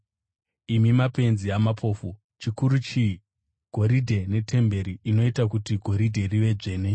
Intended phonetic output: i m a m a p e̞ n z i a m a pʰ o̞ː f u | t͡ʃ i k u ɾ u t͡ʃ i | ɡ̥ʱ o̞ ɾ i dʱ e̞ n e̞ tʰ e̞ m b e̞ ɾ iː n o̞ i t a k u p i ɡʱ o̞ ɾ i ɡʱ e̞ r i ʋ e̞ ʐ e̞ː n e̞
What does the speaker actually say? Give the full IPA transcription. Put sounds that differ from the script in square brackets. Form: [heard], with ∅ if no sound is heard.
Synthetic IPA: i m [i] m a p e̞ n z i a m a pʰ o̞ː f u | t͡ʃ i k u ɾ u t͡ʃ i | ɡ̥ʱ o̞ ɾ i dʱ e̞ n e̞ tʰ e̞ m b e̞ ɾ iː n o̞ i t a k u [t] i ɡʱ o̞ ɾ i [dʱ] e̞ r i ʋ e̞ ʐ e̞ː n e̞